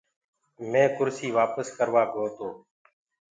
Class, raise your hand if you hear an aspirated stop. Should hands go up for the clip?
no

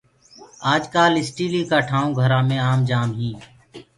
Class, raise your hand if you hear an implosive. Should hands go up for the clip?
no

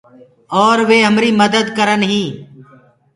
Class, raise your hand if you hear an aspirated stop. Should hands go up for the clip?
no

